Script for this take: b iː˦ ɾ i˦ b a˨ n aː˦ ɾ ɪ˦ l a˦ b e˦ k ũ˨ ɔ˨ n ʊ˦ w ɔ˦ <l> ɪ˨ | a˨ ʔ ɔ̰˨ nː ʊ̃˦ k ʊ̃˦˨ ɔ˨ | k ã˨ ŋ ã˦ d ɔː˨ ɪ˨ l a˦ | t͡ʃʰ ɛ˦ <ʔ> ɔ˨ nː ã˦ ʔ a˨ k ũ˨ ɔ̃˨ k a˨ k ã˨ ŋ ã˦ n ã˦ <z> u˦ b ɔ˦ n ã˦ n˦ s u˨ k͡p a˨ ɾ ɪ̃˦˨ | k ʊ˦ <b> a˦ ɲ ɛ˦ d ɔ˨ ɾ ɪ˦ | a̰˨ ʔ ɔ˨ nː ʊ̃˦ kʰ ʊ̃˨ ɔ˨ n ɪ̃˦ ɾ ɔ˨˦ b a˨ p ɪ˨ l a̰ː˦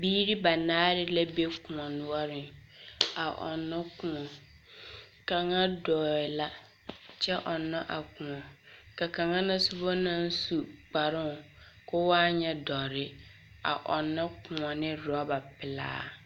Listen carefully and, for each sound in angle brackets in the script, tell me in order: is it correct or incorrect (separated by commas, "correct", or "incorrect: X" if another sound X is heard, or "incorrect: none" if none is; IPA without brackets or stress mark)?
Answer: incorrect: ɾ, correct, incorrect: s, incorrect: w